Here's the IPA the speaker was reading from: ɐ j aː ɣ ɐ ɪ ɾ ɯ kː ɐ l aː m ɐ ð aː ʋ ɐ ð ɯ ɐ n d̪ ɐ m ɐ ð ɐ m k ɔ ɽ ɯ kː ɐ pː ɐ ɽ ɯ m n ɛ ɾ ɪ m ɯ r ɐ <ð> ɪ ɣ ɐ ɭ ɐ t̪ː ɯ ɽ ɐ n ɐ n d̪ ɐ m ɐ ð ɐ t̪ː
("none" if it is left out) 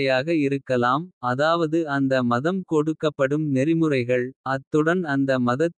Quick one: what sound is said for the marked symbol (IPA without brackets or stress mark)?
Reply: none